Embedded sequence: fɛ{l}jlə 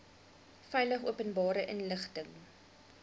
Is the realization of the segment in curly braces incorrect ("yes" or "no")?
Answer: yes